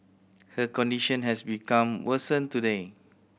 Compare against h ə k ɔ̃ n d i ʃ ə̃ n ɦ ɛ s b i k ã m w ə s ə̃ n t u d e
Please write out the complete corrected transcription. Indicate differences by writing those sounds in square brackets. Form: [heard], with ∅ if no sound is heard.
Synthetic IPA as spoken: h ə k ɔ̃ n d i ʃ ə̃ n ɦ ɛ s b i k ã m w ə s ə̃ n t u d e